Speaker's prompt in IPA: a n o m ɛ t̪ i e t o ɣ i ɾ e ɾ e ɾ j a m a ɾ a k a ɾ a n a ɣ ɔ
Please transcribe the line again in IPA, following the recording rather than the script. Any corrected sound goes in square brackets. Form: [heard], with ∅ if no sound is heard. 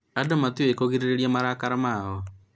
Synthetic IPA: a [d] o m [a] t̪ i e [k] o ɣ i ɾ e ɾ e ɾ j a m a ɾ a k a ɾ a [m] a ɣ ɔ